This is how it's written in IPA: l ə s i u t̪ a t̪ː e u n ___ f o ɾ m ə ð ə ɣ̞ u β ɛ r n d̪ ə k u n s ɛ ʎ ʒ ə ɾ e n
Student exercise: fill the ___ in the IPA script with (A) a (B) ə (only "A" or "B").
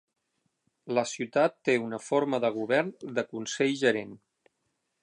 B